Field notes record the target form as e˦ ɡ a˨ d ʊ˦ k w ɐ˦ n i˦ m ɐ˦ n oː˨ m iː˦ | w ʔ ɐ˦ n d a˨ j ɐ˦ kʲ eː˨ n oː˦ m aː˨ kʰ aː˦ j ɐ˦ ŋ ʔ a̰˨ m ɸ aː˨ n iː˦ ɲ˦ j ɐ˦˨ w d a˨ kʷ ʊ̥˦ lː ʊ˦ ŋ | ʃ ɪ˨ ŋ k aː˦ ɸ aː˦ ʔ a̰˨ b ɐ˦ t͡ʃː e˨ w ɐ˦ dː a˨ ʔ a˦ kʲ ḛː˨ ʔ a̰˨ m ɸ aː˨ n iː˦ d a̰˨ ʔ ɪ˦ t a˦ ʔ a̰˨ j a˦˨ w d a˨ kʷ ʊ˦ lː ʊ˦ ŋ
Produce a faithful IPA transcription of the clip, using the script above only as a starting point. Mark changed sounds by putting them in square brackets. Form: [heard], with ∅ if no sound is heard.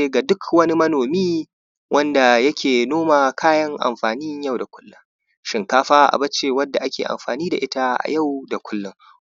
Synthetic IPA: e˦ ɡ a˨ d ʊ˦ k w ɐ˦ n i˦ m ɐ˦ n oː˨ m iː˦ | w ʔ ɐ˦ n d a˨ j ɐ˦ kʲ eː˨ n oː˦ m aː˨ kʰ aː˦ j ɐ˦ ŋ ʔ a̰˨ m ɸ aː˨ n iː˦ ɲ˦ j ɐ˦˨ w d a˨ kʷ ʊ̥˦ lː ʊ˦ ŋ | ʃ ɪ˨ ŋ k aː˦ ɸ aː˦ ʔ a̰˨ b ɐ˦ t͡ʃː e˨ w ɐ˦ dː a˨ ʔ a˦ kʲ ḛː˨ ʔ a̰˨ m ɸ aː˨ n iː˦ d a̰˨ ʔ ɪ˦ t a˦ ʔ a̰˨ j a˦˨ w d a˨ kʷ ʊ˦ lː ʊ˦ ŋ